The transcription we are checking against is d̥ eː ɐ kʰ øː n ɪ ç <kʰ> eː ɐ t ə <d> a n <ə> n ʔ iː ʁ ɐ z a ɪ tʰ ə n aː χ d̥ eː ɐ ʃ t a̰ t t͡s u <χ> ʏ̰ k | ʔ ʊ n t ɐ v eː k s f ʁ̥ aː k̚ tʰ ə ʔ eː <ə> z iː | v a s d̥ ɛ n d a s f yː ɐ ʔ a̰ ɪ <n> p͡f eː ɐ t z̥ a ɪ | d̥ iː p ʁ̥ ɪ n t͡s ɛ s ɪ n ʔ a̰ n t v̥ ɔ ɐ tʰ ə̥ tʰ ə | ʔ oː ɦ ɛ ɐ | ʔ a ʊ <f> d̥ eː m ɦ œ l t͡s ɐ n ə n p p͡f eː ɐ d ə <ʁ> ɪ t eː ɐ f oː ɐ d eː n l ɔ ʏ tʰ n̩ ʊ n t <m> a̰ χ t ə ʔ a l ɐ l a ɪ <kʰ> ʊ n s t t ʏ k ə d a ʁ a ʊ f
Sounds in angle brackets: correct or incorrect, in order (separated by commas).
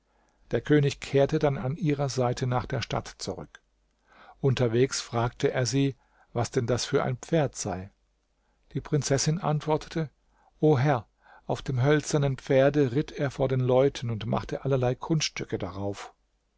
correct, correct, incorrect, incorrect, incorrect, correct, correct, correct, correct, correct